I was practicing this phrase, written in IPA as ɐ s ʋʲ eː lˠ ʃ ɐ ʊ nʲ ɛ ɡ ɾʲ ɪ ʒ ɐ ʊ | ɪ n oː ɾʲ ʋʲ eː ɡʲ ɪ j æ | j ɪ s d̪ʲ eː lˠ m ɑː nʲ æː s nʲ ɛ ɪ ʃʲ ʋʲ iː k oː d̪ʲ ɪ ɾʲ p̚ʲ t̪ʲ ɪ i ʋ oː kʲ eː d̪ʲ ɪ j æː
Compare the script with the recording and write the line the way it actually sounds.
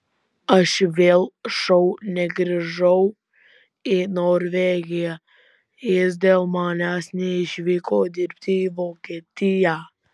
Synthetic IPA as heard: ɐ ʃ ʋʲ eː lˠ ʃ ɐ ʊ nʲ ɛ ɡ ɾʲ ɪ ʒ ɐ ʊ | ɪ n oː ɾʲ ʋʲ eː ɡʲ ɪ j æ | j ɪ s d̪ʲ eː lˠ m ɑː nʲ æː s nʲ ɛ ɪ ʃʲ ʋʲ iː k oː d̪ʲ ɪ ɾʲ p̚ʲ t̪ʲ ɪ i ʋ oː kʲ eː t̪ʲ ɪ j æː